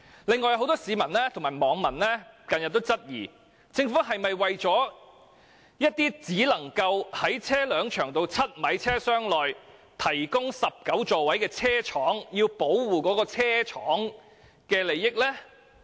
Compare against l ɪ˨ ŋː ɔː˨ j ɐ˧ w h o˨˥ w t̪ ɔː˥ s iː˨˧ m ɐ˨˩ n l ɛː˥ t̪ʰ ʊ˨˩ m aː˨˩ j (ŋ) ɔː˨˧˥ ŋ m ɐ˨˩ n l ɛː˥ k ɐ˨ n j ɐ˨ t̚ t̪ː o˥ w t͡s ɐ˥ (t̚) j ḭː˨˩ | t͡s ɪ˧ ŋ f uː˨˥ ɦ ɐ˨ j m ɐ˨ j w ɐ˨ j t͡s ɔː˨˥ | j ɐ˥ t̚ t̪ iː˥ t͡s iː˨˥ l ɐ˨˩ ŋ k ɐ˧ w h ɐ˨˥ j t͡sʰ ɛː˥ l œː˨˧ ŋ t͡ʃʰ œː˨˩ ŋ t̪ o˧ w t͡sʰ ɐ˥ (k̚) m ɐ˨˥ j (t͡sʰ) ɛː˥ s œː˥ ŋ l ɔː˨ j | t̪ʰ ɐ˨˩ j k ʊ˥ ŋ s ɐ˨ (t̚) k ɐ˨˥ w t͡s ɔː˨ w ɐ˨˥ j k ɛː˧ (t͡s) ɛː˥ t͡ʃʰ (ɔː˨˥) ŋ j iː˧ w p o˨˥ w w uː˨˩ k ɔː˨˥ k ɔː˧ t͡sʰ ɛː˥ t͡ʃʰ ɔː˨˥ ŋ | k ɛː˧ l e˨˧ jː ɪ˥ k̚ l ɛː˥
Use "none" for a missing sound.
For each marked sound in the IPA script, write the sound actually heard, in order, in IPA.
m, t̚, t̚, t͡sʰ, p̚, t͡sʰ, ɔː˨˥

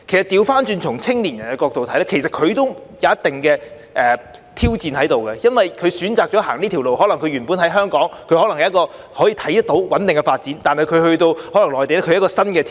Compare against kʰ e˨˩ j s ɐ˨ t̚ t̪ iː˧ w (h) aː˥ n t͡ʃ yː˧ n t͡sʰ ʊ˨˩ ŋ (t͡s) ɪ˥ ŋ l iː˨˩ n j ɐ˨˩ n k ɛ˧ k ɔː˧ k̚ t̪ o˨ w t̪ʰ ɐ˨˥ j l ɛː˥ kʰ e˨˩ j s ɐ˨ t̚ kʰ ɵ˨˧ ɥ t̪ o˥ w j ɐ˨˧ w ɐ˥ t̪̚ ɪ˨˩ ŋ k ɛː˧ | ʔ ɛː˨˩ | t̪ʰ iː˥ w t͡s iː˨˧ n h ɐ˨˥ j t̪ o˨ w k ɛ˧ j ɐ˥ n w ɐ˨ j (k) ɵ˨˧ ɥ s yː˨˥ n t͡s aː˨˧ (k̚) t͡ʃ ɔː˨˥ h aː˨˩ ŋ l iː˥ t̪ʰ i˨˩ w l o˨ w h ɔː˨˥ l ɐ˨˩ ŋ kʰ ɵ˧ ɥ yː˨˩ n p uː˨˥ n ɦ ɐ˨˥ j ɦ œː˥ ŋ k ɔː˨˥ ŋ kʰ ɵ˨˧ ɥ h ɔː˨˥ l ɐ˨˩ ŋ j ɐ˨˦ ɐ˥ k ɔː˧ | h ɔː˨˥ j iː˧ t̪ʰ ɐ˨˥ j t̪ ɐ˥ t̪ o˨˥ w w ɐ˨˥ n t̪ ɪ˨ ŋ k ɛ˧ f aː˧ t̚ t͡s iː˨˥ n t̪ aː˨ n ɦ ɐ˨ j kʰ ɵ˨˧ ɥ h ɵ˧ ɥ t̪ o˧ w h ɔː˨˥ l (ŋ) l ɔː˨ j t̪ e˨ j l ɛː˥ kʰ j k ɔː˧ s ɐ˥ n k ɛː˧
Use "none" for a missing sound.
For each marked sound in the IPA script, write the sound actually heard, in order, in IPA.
f, t͡sʰ, kʰ, k̚, ŋ

